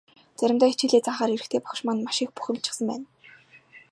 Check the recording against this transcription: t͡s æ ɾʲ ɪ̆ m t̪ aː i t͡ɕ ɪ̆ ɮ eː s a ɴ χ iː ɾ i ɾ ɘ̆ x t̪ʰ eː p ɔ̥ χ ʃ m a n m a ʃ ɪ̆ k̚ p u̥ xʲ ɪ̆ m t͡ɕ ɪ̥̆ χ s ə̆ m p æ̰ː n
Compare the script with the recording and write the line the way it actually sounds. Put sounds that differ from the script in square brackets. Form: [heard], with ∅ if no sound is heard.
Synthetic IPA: t͡s æ ɾʲ ɪ̆ m t̪ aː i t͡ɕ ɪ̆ ɮ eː [t͡s] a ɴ χ [aː] ɾ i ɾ ɘ̆ x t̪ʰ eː p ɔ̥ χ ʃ m a n m a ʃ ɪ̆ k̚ p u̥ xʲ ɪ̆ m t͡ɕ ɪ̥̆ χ s ə̆ m p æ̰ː n